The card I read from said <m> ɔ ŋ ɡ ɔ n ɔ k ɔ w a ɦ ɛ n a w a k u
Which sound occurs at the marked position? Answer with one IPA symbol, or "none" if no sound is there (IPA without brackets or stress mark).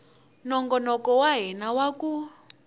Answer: n